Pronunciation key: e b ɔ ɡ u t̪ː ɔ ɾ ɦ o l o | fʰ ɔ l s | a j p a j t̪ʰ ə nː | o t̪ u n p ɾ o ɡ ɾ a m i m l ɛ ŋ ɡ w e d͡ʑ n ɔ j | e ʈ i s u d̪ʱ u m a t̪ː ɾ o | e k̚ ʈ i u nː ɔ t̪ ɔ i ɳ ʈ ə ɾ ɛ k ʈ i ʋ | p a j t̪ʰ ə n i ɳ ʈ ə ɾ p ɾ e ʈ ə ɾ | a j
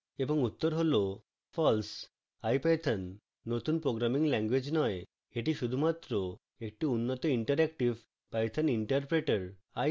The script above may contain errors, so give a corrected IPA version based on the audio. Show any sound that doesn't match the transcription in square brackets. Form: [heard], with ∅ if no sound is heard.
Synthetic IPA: e b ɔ [ŋ] u t̪ː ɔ ɾ ɦ o l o | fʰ ɔ l s | a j p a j t̪ʰ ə nː | o t̪ u n p ɾ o ɡ ɾ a m i [ŋ] l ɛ ŋ ɡ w e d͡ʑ n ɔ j | e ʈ i [ʃ] u d̪ʱ u m a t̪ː ɾ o | e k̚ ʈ i u nː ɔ t̪ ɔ i ɳ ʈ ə ɾ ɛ k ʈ i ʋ | p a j t̪ʰ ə n i ɳ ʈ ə ɾ p ɾ e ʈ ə ɾ | a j